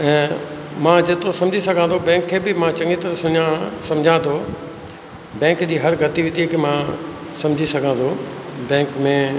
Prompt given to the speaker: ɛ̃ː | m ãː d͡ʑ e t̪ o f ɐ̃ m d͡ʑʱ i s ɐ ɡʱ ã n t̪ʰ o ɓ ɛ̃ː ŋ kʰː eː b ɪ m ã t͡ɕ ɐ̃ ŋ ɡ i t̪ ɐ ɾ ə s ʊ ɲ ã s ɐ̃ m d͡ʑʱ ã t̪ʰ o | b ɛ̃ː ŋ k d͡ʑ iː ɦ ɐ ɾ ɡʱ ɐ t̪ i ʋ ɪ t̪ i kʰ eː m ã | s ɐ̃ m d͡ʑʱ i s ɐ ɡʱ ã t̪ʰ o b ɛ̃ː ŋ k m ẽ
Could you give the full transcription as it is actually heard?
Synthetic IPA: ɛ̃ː | m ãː d͡ʑ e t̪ o s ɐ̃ m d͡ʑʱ i s ɐ ɡʱ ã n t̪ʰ o b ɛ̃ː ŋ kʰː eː b ɪ m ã t͡ɕ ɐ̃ ŋ ɡ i t̪ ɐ ɾ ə s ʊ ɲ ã s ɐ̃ m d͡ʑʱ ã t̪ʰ o | b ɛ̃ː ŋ k d͡ʑ iː ɦ ɐ ɾ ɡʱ ɐ t̪ i ʋ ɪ t̪ i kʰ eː m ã | s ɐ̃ m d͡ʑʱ i s ɐ ɡʱ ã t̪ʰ o b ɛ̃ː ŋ k m ẽ

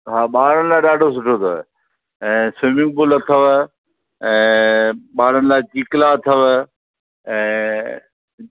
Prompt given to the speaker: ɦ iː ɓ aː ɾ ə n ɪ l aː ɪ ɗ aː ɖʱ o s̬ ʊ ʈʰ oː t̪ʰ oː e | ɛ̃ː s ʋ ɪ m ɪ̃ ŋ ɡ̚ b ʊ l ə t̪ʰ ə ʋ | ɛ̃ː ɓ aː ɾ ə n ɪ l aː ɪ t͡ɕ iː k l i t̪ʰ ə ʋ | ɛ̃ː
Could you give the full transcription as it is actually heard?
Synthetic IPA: ɦ aː ɓ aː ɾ ə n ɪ l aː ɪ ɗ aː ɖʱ o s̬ ʊ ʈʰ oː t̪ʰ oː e | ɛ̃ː s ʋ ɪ m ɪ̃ ŋ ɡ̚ b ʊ l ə t̪ʰ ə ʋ | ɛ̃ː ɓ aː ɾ ə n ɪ l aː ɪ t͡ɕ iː k l a t̪ʰ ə ʋ | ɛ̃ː

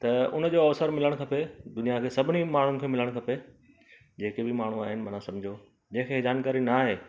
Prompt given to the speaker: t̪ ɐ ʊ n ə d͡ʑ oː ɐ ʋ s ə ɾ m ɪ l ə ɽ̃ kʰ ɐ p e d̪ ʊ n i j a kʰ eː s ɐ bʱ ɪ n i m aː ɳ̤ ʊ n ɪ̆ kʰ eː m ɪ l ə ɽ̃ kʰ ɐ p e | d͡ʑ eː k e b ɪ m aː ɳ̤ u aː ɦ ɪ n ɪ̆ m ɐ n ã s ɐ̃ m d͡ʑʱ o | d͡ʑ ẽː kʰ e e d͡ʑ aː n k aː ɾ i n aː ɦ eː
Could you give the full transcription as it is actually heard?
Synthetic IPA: t̪ ɐ ʊ n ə d͡ʑ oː ɐ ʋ s ə ɾ m ɪ l ə ɽ̃ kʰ ɐ p e d̪ ʊ n i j a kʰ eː s ɐ bʱ ɪ n i m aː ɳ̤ ʊ n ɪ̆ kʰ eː m ɪ l ə ɽ̃ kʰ ɐ p e | d͡ʑ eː k e b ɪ m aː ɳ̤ u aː ɦ ɪ n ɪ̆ m ɐ n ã s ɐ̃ m d͡ʑʱ o | d͡ʑ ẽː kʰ e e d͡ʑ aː n k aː ɾ i n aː ɦ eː

